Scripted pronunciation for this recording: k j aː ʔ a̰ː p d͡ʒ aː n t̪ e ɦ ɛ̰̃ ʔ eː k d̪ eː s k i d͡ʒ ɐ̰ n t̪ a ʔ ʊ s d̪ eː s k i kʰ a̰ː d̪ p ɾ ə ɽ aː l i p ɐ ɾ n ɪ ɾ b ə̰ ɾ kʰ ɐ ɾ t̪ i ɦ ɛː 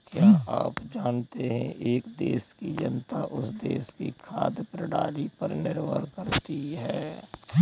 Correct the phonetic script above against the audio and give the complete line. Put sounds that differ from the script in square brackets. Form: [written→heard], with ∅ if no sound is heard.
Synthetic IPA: k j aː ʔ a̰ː p d͡ʒ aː n t̪ e ɦ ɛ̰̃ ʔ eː k d̪ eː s k i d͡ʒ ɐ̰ n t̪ a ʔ ʊ s d̪ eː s k i kʰ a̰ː d̪ p ɾ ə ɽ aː l i p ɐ ɾ n ɪ ɾ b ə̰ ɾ [kʰ→k] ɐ ɾ t̪ i ɦ ɛː